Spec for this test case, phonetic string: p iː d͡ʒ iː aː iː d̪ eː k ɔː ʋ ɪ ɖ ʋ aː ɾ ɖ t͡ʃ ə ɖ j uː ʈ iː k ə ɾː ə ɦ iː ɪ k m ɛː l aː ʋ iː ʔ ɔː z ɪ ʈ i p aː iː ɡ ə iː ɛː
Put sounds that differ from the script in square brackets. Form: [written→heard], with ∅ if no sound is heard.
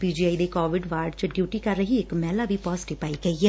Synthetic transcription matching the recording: p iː d͡ʒ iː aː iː d̪ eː k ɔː ʋ ɪ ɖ ʋ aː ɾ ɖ t͡ʃ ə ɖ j uː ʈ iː k ə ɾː ə ɦ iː ɪ k m ɛː l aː ʋ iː [ʔ→p] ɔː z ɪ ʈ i p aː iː ɡ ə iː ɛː